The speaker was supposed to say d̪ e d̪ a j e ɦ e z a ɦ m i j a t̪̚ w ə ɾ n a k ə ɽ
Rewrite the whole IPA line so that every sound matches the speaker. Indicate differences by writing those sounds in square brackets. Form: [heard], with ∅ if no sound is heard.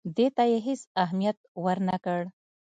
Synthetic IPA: d̪ e [t̪] a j e ɦ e [s] a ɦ m i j a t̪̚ w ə ɾ n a k ə ɽ